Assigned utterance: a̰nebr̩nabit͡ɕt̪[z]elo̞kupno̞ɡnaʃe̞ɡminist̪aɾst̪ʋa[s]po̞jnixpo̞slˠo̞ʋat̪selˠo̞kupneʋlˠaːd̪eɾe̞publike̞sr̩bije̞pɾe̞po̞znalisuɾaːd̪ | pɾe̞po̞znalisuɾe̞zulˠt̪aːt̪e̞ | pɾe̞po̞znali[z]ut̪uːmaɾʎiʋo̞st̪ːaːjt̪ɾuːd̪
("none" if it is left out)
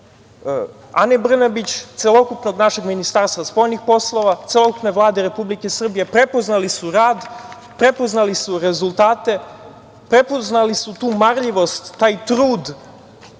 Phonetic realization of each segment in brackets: s, s, s

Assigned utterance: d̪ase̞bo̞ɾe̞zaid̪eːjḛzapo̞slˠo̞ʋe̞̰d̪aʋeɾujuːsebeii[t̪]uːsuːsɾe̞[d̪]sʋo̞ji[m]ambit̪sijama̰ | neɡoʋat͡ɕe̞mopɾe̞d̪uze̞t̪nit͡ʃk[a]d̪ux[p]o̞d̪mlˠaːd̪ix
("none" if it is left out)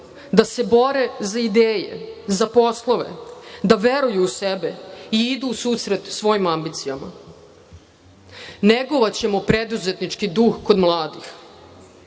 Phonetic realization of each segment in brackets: d̪, t̪, m, i, k

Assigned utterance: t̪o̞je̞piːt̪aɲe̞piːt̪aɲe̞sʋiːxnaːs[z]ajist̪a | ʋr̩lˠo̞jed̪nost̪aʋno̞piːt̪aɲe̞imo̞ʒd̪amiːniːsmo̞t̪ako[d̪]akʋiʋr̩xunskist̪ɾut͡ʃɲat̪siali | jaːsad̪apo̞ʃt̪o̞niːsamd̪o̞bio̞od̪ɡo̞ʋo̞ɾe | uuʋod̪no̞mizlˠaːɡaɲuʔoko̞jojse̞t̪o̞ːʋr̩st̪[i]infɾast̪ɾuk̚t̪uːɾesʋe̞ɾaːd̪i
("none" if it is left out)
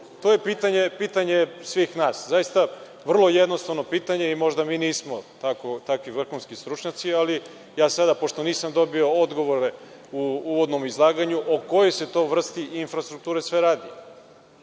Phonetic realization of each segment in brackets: z, t̪, i

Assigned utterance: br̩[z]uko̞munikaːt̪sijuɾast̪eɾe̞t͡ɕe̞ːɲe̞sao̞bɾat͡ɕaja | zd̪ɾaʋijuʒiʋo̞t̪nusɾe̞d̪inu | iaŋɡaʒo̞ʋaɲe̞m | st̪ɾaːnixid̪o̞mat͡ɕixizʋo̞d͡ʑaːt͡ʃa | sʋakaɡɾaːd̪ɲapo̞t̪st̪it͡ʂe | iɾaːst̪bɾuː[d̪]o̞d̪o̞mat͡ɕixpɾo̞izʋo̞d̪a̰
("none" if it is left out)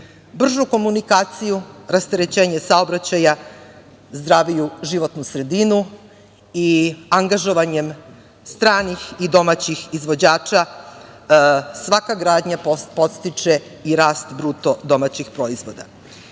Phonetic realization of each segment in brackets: ʒ, t̪

